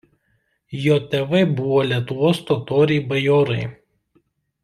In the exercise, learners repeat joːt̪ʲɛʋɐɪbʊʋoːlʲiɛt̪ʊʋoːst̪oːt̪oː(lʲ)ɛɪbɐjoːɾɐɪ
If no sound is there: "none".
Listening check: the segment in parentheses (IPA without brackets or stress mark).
ɾʲ